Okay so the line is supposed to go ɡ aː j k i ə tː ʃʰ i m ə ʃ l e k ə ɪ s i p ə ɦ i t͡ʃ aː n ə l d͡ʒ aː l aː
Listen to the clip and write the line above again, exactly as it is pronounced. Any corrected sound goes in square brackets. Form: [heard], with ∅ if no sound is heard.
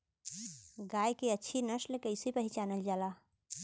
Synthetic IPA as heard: ɡ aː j k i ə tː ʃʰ i [n] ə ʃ l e k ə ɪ s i p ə ɦ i t͡ʃ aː n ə l d͡ʒ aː l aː